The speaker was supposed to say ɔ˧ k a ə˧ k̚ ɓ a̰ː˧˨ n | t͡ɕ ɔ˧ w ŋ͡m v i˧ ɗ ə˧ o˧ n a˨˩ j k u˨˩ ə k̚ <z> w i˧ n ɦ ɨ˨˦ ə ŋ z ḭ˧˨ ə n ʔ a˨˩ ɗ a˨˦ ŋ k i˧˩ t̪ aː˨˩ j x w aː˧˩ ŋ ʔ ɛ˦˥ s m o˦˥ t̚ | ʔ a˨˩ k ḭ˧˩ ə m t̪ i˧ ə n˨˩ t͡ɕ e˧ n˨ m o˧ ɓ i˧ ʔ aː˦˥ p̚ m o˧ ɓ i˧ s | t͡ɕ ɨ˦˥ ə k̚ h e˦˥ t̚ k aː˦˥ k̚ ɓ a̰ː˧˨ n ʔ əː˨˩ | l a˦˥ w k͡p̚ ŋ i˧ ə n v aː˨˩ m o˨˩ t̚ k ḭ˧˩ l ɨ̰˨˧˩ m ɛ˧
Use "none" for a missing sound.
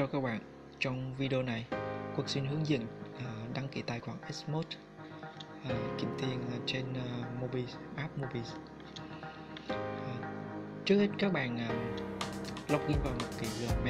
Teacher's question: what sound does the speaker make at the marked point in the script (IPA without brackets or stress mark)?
s